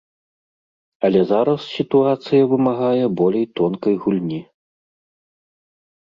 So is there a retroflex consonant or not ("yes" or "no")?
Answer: no